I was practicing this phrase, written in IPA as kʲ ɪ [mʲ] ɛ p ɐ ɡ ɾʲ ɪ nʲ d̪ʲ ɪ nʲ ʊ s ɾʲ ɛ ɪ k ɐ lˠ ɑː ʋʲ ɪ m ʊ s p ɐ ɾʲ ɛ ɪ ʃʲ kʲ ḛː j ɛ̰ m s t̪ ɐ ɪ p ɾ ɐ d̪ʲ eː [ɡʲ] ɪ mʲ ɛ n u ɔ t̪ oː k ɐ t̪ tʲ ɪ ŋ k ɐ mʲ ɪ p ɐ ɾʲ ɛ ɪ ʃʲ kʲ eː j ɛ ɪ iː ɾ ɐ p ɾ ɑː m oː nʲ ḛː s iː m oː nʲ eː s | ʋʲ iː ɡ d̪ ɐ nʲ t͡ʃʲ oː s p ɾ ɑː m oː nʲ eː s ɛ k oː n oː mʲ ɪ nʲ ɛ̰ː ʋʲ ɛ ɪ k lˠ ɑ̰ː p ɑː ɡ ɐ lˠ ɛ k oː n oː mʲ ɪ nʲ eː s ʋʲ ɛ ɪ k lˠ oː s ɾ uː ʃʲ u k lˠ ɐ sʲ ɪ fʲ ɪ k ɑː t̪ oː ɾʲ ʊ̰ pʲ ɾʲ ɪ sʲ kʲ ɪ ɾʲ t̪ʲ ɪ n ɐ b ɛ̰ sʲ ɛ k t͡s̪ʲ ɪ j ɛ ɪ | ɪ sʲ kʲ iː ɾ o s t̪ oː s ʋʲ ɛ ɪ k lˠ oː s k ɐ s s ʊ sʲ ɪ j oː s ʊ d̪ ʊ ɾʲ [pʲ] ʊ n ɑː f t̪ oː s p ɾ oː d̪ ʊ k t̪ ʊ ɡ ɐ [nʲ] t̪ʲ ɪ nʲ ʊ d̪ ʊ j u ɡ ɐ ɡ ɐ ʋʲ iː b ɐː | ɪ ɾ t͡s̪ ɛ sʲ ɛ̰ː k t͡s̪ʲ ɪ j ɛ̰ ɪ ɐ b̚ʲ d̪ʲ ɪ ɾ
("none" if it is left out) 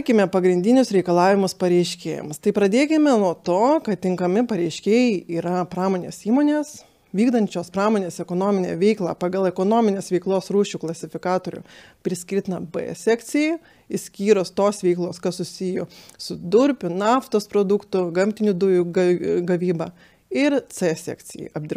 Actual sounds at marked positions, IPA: mʲ, kʲ, pʲ, mʲ

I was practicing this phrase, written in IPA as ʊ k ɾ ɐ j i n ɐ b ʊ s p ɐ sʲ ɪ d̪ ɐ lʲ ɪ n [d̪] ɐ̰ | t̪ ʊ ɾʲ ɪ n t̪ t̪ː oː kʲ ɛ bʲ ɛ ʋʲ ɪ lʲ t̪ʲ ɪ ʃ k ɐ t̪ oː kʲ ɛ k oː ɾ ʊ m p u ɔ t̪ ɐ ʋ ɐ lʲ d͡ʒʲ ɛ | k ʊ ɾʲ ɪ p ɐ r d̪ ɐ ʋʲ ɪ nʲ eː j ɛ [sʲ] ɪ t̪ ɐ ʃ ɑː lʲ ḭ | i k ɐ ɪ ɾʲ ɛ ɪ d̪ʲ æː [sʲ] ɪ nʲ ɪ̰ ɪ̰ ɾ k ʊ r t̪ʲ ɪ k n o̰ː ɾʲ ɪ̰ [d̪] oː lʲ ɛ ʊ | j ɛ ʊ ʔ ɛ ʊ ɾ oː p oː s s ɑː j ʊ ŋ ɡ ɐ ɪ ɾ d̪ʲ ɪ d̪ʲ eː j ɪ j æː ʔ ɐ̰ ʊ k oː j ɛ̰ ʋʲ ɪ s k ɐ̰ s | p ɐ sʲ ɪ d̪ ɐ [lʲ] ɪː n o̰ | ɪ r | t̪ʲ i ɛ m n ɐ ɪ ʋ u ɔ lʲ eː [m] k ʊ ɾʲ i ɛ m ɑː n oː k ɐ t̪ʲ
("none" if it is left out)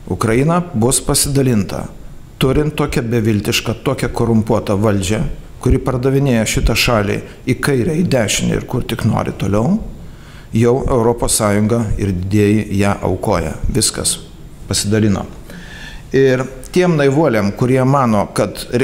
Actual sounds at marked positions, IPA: t̪, ʃʲ, ʃʲ, t̪, lʲ, m

